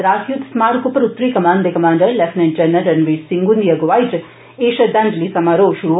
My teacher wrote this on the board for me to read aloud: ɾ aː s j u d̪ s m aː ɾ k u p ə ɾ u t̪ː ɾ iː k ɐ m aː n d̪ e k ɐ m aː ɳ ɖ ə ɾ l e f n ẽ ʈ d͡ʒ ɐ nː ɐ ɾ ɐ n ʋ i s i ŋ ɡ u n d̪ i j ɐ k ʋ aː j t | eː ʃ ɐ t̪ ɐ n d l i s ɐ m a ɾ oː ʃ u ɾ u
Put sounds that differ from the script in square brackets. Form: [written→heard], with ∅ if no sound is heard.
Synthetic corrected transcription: ɾ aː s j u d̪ s m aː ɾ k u p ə ɾ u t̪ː ɾ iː k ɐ m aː n d̪ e k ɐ m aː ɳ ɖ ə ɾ l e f n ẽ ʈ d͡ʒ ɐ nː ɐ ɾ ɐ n ʋ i s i ŋ ɡ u n d̪ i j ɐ [k→ɡ] ʋ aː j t | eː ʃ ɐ [t̪→d̪] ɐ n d l i s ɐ m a ɾ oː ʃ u ɾ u